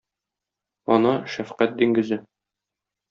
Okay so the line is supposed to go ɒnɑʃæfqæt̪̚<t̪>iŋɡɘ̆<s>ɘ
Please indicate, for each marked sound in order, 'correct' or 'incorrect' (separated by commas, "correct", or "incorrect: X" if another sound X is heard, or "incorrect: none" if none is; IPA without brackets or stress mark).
incorrect: d̪, incorrect: z